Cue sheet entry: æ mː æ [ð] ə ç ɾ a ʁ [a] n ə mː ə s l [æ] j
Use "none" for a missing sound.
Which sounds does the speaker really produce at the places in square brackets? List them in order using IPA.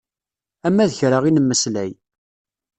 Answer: ð, i, æ

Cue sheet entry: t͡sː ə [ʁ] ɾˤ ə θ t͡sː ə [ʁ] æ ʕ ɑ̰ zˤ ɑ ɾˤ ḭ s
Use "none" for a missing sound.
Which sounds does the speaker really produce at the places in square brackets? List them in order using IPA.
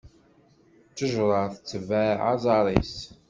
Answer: ʒ, v

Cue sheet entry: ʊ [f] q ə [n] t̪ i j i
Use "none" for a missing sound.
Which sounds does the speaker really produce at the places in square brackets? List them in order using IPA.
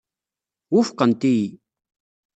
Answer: f, n

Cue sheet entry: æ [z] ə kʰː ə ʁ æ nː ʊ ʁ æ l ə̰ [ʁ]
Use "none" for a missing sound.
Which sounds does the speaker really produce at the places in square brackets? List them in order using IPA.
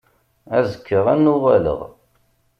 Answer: z, ʁ

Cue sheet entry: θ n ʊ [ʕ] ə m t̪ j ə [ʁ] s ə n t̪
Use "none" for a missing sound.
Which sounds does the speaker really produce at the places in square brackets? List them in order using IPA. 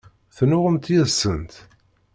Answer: ʁ, ð

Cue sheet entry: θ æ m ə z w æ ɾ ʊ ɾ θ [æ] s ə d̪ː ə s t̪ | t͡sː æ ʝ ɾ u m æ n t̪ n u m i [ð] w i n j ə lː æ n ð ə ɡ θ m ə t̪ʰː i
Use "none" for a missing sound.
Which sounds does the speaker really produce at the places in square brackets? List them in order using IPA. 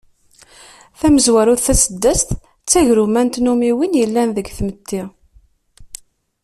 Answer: æ, none

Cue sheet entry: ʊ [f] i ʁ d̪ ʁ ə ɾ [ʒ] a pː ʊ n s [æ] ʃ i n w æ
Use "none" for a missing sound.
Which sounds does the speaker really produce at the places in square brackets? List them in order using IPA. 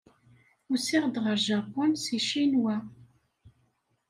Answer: s, ʒ, i

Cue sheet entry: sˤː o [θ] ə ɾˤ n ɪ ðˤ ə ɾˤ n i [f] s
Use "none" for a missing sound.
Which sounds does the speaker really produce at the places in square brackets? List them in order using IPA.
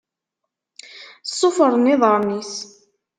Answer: f, none

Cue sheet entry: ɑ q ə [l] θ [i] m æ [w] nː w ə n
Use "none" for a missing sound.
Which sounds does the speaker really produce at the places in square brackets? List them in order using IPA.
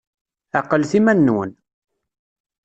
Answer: l, i, none

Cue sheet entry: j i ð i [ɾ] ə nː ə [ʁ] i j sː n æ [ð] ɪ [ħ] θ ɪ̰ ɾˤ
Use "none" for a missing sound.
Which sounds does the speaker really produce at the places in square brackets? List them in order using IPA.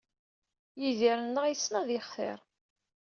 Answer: ɾ, ʁ, ð, χ

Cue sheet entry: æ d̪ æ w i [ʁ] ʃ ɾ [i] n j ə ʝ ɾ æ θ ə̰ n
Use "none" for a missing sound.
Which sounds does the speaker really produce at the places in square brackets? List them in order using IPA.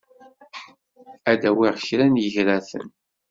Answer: ʁ, æ

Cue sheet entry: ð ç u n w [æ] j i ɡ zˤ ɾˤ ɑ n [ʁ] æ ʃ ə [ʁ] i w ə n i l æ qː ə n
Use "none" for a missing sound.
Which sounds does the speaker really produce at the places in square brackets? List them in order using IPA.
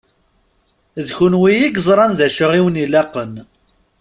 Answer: i, ð, ʁ

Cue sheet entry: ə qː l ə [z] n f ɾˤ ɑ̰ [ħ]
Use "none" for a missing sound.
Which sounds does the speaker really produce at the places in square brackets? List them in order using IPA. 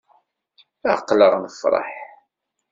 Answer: ʁ, ħ

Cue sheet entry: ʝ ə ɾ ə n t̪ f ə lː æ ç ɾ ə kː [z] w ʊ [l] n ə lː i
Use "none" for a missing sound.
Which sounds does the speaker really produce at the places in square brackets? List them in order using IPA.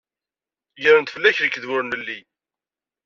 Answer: ð, ɾ

